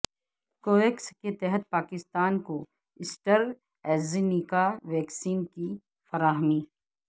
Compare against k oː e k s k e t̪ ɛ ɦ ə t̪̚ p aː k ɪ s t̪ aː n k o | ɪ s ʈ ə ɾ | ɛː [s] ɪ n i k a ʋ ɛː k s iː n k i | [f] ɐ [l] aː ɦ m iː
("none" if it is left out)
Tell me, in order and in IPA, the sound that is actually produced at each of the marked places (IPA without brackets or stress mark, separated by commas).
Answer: z, f, ɾ